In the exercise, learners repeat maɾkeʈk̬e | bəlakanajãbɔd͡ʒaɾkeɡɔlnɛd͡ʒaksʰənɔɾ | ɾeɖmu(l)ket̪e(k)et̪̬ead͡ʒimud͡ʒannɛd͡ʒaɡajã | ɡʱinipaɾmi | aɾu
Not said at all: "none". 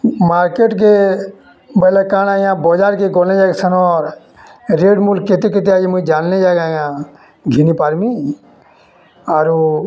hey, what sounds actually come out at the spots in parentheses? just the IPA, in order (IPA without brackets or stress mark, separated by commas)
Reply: l, k